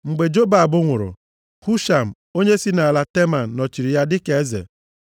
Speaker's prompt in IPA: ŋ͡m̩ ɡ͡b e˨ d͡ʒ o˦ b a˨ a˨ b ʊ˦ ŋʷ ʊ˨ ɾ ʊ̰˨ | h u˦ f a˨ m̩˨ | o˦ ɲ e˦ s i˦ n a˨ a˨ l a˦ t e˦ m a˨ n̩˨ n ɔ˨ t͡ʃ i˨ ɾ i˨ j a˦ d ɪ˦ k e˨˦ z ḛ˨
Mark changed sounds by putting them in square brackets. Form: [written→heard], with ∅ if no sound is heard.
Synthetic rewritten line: ŋ͡m̩ ɡ͡b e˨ d͡ʒ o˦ b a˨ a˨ b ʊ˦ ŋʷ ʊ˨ ɾ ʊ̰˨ | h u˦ [f→ʃ] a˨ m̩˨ | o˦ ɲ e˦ s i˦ n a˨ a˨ l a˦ t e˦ m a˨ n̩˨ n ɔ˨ t͡ʃ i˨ ɾ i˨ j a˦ d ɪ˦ k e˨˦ z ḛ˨